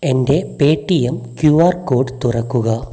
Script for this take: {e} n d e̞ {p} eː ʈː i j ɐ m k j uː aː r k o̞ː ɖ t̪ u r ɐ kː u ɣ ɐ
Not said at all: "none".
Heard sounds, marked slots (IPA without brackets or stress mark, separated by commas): e, p